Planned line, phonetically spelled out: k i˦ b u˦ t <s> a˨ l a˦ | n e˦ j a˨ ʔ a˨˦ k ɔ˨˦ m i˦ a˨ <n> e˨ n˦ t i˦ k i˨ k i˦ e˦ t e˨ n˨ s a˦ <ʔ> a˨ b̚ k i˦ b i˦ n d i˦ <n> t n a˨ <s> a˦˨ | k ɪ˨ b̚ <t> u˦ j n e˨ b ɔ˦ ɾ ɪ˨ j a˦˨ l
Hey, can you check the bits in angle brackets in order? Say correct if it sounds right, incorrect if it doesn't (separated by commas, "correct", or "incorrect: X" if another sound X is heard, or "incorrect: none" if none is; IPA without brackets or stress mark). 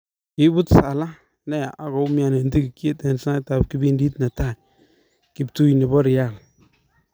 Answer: correct, correct, incorrect: t, incorrect: none, incorrect: t, correct